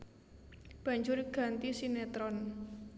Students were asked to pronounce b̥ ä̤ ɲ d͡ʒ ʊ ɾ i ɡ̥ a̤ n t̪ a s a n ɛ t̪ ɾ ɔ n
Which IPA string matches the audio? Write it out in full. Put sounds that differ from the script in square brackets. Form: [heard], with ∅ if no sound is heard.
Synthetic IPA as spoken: b̥ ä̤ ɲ d͡ʒ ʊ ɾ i ɡ̥ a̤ n t̪ [i] s [i] n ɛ t̪ ɾ ɔ n